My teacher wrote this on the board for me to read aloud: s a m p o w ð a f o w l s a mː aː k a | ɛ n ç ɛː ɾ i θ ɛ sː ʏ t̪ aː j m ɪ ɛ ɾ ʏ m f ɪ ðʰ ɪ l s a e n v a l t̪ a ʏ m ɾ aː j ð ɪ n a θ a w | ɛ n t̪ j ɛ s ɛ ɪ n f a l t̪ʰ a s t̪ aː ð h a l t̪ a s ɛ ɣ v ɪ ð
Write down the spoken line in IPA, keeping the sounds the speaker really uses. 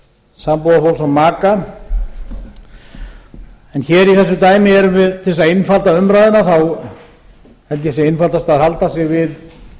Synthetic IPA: s a m p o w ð a f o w l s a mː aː k a | ɛ n ç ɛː ɾ i θ ɛ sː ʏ t̪ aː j m ɪ ɛ ɾ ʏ m v ɪ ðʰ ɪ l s a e n f a l t̪ a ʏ m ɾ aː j ð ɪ n a θ a w | ɛ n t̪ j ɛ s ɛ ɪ n f a l t̪ a s t̪ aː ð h a l t̪ a s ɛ ɣ v ɪ ð